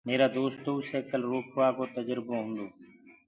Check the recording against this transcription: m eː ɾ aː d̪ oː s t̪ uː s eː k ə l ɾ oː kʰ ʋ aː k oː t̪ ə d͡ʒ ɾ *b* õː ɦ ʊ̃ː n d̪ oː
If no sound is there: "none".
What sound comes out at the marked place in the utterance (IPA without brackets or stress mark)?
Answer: b